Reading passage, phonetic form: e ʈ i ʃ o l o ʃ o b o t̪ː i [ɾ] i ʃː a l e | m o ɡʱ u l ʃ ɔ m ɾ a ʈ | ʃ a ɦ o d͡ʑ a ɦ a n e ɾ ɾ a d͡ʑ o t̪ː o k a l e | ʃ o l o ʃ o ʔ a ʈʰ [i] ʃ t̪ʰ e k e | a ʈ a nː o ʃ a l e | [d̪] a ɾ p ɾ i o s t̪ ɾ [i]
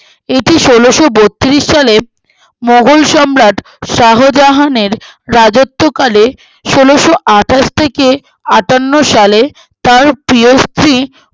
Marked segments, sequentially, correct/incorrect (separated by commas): correct, incorrect, incorrect, correct